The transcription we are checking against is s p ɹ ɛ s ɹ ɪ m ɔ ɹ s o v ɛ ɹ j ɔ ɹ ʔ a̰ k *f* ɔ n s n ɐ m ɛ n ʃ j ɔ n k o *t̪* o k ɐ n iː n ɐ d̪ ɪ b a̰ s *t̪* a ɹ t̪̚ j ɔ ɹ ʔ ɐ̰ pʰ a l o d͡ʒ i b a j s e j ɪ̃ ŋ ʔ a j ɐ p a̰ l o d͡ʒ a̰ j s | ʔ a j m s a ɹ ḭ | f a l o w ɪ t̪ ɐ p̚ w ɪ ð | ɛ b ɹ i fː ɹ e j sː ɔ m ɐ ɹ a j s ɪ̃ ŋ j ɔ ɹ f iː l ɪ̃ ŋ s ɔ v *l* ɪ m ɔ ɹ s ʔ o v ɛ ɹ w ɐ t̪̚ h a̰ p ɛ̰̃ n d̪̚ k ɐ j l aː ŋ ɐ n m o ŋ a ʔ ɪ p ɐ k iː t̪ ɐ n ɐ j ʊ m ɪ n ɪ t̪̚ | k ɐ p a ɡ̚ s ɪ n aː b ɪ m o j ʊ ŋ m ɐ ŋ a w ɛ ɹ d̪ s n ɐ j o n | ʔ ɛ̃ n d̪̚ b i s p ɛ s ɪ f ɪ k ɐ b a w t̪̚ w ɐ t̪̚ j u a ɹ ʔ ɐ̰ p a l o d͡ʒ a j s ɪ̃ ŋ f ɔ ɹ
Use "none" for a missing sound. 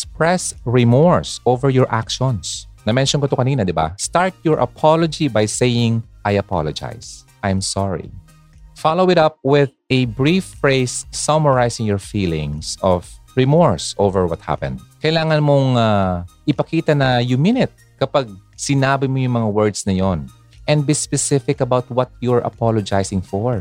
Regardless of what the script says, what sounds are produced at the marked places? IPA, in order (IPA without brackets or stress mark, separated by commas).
ʃ, t̪, t̪, ɹ